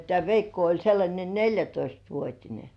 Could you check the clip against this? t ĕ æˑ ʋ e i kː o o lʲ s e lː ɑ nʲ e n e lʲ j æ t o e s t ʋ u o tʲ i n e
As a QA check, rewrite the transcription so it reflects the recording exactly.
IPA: t ĕ æˑ ʋ e i kː o o lʲ s e lː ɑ nʲ e n e lʲ j æ t o i s t ʋ u o tʲ i n e